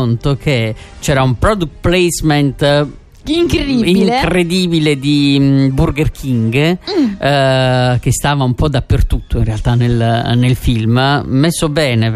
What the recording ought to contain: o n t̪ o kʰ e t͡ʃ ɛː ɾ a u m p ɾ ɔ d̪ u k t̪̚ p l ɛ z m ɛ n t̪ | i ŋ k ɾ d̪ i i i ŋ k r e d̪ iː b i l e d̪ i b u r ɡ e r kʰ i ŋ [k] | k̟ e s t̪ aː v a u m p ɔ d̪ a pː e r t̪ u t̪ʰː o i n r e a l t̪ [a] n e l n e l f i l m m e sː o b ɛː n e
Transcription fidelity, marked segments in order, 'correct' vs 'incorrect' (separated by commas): incorrect, correct